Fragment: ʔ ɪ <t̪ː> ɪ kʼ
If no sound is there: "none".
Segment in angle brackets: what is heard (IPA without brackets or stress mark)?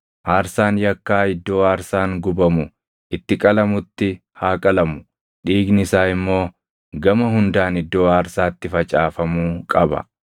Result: t̪ː